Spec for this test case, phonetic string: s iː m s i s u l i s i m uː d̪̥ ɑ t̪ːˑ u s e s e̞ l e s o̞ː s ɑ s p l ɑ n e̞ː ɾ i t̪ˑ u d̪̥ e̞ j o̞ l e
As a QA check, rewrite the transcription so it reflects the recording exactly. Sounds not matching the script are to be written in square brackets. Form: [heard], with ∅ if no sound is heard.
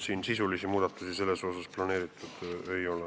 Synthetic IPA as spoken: s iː [n] s i s u l i s i m uː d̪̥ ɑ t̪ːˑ u s [i] s e̞ [lː] e s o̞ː s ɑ s p l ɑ n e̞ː ɾ i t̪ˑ u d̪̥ e̞ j o̞ l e